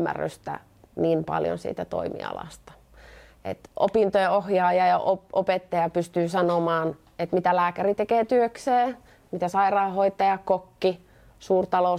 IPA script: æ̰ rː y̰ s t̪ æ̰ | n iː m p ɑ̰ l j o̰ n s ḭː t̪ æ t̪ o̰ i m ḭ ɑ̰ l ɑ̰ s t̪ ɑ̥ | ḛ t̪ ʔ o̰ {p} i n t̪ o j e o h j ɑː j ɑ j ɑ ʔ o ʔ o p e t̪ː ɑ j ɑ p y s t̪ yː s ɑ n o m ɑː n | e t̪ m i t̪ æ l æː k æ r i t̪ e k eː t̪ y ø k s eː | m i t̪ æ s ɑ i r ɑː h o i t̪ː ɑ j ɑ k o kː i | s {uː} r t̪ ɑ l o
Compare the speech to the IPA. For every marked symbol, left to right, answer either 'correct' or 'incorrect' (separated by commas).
correct, correct